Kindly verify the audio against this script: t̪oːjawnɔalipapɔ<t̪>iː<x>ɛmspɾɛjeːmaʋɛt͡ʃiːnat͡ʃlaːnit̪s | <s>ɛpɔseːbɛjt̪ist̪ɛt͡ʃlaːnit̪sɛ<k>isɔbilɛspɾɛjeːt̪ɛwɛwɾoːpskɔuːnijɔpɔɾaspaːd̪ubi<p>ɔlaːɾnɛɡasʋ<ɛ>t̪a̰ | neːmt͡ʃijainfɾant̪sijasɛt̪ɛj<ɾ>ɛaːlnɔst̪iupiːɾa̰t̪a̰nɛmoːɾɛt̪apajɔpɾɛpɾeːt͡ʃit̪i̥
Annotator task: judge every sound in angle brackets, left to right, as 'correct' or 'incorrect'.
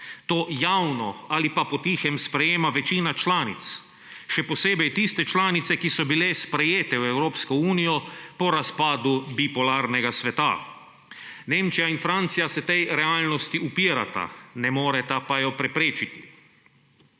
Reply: correct, correct, incorrect, correct, correct, correct, correct

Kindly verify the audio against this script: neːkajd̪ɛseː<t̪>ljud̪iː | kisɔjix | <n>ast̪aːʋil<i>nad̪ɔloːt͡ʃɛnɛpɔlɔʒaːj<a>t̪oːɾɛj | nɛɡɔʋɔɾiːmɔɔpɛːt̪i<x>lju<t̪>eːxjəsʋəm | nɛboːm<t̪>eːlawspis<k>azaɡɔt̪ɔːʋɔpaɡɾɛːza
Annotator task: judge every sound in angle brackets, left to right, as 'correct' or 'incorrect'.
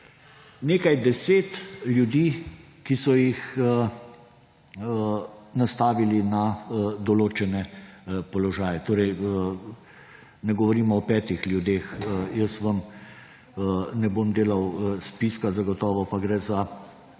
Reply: correct, correct, correct, incorrect, correct, incorrect, incorrect, correct

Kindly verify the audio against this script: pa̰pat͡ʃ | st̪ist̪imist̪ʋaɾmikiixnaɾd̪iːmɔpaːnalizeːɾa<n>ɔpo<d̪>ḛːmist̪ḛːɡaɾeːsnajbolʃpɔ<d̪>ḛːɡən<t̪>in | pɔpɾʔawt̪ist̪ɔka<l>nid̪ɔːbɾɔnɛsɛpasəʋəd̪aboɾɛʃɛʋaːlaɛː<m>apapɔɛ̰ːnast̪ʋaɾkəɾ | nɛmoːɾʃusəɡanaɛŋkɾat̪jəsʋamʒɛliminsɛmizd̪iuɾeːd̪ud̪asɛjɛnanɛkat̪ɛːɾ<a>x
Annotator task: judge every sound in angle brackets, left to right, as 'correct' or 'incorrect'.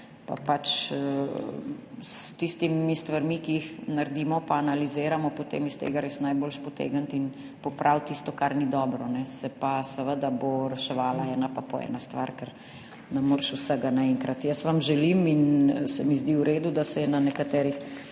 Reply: incorrect, incorrect, incorrect, correct, incorrect, incorrect, incorrect

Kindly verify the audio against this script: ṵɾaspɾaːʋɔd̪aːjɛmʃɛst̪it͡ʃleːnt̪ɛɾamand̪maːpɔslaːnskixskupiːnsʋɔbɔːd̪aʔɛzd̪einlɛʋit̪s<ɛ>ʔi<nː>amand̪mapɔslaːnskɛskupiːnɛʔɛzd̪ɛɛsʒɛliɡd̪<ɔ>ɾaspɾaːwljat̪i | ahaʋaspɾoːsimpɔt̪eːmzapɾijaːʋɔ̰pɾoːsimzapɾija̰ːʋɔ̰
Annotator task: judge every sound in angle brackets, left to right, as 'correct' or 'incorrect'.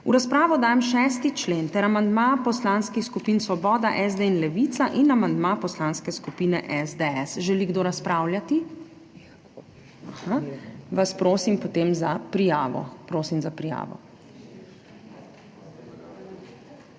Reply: incorrect, incorrect, incorrect

